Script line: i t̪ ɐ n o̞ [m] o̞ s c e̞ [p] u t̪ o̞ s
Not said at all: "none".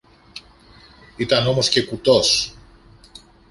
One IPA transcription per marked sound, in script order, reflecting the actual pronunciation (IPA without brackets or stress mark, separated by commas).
m, k